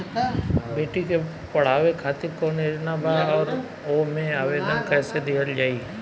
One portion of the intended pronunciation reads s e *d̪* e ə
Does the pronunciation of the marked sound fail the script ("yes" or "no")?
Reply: no